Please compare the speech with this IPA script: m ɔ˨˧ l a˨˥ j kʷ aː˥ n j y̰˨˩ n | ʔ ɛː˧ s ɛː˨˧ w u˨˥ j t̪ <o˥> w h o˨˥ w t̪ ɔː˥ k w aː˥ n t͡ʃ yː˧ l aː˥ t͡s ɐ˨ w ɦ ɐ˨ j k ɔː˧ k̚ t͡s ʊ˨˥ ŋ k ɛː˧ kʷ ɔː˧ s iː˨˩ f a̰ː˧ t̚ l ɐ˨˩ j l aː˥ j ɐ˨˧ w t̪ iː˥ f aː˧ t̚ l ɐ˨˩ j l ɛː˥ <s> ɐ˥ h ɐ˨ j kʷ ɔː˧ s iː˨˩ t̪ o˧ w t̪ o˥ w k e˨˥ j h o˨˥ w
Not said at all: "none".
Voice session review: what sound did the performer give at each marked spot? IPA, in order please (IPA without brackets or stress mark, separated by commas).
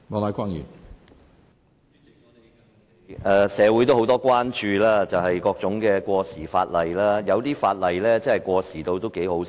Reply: o˥, t͡s